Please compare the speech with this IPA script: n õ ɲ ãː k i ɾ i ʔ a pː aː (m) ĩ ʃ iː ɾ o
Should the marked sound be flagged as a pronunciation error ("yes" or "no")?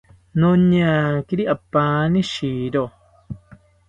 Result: yes